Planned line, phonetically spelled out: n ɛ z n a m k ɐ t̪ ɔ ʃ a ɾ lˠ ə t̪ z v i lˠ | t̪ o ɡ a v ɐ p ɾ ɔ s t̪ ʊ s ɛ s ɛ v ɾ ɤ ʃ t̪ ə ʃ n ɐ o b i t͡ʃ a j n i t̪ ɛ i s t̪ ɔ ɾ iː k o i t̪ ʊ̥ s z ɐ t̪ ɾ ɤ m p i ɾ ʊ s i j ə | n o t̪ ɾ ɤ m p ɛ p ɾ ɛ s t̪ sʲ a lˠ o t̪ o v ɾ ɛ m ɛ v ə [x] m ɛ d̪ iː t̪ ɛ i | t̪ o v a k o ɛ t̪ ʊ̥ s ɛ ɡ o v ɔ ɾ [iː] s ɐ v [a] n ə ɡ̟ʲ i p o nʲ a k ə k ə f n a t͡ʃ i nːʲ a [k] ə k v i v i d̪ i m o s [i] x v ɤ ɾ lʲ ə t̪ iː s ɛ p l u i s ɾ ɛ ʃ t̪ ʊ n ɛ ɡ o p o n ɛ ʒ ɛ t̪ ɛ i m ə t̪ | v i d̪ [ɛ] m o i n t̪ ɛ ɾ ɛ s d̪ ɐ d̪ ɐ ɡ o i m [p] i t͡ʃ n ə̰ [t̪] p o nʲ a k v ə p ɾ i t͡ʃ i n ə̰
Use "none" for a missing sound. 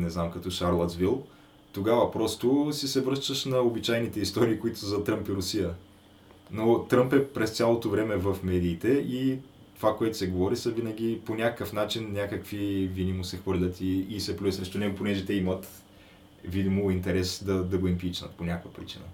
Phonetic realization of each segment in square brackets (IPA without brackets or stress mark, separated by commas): f, i, i, k, ɛ, i, p, t̪